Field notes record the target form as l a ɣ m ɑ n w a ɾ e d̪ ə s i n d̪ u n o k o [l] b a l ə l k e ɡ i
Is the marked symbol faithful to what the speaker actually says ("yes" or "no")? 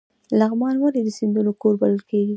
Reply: no